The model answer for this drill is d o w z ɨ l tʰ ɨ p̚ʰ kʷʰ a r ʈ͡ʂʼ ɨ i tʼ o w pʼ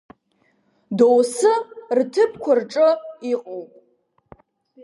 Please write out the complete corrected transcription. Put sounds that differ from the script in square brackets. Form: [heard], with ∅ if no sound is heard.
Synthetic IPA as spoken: d o w [s] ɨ [r] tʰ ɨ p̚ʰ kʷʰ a r ʈ͡ʂʼ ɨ i [qʼ] o w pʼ